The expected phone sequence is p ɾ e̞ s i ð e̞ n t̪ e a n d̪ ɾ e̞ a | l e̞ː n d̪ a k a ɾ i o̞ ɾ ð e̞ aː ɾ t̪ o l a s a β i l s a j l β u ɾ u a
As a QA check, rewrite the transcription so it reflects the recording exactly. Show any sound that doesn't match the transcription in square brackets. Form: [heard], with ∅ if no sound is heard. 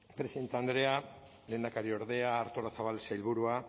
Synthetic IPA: p ɾ e̞ s i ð e̞ n t̪ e a n d̪ ɾ e̞ a | l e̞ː n d̪ a k a ɾ i o̞ ɾ ð e̞ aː ɾ t̪ o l a s a β [a] l s a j l β u ɾ u a